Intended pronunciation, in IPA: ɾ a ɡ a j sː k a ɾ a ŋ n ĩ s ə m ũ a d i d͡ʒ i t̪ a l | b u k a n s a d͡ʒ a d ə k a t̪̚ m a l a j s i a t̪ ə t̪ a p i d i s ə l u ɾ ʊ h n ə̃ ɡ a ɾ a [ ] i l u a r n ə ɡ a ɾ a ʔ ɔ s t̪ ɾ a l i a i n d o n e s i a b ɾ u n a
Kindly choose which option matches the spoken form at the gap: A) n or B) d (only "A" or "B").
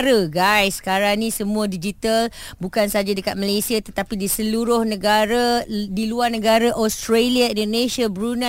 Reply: B